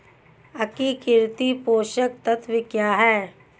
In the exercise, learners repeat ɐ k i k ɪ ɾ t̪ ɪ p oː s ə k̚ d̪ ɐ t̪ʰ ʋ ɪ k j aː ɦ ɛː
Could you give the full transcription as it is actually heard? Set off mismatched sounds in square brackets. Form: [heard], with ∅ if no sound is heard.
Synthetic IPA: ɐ k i k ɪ ɾ t̪ [i] p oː [ʃ] ə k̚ [t̪] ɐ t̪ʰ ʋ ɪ k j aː ɦ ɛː